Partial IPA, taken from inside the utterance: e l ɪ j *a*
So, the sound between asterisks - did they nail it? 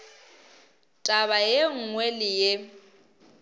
no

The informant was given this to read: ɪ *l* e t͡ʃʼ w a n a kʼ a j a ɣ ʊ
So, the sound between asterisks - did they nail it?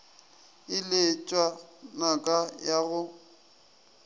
yes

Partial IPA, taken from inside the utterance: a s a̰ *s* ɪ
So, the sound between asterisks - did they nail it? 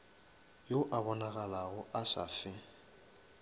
no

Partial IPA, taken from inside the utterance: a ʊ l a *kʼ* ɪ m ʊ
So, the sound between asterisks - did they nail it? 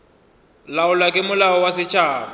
yes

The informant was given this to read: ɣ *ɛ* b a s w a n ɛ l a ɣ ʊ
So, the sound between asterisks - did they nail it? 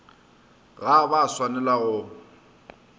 no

